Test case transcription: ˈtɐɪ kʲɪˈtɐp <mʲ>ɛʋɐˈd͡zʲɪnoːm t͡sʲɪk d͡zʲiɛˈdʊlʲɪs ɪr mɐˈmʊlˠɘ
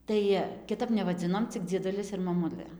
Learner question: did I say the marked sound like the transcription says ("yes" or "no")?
no